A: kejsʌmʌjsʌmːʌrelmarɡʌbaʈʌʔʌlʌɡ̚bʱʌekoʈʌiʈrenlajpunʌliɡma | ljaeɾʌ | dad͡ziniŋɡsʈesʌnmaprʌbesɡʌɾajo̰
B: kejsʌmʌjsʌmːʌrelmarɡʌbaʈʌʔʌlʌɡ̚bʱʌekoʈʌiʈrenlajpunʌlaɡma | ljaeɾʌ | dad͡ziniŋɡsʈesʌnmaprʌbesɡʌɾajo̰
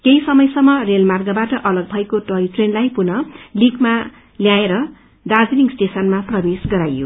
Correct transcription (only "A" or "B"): A